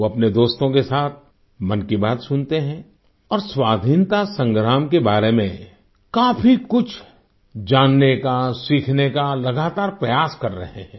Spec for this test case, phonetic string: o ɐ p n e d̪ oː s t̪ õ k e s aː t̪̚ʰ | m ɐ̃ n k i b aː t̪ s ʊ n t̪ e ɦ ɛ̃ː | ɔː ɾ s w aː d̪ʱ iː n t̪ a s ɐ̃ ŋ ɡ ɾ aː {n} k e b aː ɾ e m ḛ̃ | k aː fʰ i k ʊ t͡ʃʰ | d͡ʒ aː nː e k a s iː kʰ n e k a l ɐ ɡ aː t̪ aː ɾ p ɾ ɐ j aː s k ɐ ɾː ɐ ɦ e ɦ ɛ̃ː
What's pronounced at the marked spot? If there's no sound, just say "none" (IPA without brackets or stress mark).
m